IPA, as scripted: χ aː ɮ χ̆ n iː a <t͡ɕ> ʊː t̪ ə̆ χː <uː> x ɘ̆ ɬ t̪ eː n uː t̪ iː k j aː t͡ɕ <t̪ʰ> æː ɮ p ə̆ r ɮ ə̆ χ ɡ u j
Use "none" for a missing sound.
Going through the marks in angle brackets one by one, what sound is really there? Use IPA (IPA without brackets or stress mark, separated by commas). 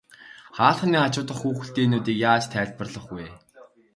t͡ɕ, uː, t̪ʰ